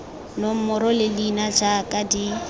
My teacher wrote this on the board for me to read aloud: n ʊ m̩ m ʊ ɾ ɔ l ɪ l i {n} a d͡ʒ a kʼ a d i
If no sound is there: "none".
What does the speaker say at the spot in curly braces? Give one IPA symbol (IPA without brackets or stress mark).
n